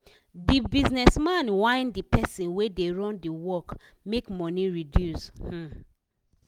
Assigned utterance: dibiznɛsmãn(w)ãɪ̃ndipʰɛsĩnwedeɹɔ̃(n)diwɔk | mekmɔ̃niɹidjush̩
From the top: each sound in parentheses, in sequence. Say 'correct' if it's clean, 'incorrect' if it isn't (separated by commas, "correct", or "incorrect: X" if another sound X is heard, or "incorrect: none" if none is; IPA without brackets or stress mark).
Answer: correct, correct